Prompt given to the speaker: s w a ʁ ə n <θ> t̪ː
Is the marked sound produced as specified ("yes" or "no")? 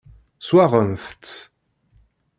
yes